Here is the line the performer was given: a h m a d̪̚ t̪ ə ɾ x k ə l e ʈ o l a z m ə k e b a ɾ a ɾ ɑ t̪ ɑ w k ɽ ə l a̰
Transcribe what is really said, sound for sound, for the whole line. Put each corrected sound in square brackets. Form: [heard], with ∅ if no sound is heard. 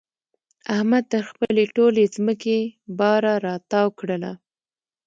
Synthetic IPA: a h m a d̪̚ t̪ ə ɾ x [p] ə l e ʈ o l [e] z m ə k e b [ɑ] ɾ a ɾ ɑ t̪ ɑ w k ɽ ə l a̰